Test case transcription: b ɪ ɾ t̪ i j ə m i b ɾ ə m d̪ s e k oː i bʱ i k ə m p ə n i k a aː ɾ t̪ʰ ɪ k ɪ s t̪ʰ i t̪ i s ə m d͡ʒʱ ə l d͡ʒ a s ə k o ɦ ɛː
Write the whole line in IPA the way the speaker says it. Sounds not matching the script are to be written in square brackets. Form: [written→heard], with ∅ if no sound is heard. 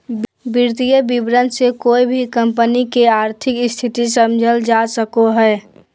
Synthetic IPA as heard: b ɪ ɾ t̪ i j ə [m→b] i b ɾ ə [m→n] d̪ s e k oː i bʱ i k ə m p ə n i k [a→e] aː ɾ t̪ʰ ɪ k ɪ s t̪ʰ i t̪ i s ə m d͡ʒʱ ə l d͡ʒ a s ə k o ɦ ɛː